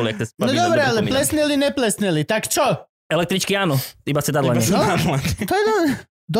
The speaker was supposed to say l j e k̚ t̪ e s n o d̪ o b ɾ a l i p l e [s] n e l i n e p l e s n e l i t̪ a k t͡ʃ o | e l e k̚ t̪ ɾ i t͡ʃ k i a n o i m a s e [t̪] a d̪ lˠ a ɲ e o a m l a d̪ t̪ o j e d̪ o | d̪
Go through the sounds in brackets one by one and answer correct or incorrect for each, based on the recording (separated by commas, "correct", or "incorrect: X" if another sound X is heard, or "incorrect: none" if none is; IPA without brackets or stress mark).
correct, incorrect: d̪